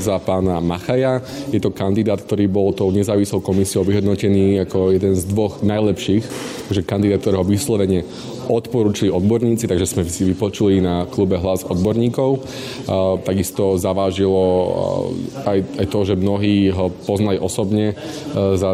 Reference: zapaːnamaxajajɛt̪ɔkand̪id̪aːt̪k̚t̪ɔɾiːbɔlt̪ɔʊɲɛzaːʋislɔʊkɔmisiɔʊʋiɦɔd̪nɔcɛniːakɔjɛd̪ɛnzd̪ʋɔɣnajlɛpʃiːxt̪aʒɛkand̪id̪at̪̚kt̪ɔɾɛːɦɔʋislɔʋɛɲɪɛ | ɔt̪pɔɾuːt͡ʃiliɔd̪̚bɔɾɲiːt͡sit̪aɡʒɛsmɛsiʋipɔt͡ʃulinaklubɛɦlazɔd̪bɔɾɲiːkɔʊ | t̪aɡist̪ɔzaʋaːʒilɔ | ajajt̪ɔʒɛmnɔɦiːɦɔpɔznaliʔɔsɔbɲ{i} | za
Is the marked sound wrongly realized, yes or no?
yes